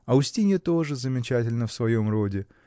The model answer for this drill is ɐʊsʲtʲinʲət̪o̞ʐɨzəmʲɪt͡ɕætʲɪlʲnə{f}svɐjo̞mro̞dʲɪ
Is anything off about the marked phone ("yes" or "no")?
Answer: no